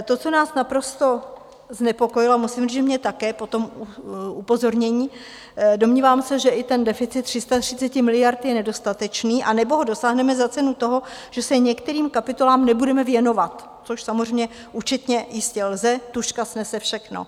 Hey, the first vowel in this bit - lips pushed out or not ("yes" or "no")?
yes